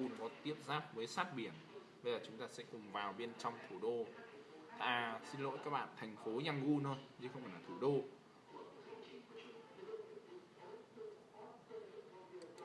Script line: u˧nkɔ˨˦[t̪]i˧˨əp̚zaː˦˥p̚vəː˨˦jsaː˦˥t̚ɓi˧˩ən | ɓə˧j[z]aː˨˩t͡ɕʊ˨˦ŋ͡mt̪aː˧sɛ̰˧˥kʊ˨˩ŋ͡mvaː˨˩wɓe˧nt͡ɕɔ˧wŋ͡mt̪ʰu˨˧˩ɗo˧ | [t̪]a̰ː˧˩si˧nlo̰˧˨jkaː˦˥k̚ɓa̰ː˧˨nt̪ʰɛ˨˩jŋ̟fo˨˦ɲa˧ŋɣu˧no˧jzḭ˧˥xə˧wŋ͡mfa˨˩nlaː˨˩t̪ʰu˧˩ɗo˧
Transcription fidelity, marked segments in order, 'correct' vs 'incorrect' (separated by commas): correct, correct, correct